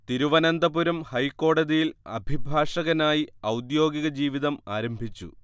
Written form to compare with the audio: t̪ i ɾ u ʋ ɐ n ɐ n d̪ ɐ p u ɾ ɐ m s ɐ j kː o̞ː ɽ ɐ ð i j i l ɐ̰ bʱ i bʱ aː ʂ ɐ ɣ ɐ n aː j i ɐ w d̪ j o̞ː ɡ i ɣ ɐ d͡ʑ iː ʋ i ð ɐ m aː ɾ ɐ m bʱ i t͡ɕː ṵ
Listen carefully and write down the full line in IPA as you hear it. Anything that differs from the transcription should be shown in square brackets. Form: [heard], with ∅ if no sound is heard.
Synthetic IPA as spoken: t̪ i ɾ u ʋ ɐ n ɐ n d̪ ɐ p u ɾ ɐ m [h] ɐ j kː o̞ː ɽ ɐ ð i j i l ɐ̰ bʱ i bʱ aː ʂ ɐ ɣ ɐ n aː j i ɐ w d̪ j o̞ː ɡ i ɣ ɐ d͡ʑ iː ʋ i ð ɐ m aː ɾ ɐ m bʱ i t͡ɕː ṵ